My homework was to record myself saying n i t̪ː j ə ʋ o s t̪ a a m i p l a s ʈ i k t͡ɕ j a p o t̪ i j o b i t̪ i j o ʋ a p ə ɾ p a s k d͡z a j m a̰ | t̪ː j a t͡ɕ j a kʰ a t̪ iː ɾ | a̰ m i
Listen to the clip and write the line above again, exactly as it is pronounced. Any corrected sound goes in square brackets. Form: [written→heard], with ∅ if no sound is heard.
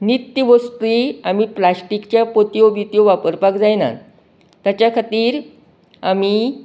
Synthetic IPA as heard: n i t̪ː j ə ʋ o s t̪ [a→i] a m i p l a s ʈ i k t͡ɕ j a p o t̪ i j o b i t̪ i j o ʋ a p ə ɾ p a [s→∅] k d͡z a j [m→n] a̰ | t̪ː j a t͡ɕ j a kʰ a t̪ iː ɾ | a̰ m i